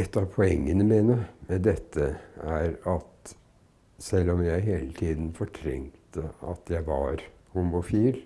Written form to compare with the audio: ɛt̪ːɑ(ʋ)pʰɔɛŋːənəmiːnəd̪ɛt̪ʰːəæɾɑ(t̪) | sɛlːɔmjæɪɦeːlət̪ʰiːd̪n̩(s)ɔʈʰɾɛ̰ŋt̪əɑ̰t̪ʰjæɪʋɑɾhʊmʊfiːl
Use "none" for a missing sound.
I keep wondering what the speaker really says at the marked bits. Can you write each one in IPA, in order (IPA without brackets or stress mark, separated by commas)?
ʋ, t̪, f